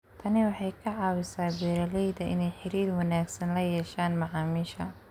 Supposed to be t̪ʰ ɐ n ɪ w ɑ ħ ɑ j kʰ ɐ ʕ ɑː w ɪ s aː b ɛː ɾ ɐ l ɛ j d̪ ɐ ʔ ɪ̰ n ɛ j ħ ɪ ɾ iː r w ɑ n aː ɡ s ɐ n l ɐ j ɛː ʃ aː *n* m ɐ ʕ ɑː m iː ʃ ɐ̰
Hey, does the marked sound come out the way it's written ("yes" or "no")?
yes